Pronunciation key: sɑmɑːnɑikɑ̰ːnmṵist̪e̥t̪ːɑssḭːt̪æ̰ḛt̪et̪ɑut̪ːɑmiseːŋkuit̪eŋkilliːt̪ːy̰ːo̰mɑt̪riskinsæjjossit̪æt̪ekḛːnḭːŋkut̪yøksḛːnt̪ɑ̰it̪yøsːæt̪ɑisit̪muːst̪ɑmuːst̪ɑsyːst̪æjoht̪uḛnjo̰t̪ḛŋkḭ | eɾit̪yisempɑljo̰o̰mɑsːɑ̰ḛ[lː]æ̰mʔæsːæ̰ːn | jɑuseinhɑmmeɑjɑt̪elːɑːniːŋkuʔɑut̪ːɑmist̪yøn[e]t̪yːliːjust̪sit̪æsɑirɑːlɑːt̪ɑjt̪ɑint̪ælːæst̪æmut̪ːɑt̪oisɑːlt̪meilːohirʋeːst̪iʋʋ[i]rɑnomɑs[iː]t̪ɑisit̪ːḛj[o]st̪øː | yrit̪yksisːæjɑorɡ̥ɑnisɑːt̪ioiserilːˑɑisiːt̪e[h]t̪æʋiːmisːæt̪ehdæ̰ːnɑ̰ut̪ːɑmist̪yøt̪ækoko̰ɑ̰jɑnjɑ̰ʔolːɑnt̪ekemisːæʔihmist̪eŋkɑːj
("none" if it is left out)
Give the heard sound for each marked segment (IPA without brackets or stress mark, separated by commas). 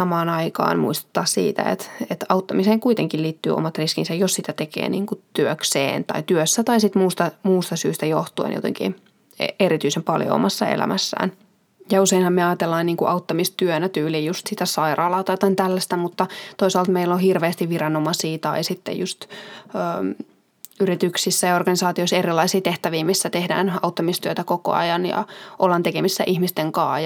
l, æ, i, iː, u, h